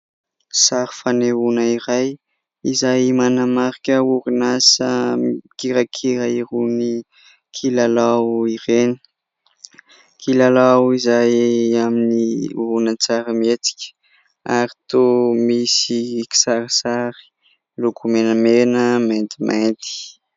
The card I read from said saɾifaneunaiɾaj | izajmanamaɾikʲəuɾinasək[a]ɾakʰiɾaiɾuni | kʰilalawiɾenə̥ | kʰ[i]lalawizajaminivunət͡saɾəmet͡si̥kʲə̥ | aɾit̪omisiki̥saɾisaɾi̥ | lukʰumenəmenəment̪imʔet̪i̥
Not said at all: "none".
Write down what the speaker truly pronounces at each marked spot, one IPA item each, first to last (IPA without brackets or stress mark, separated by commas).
i, i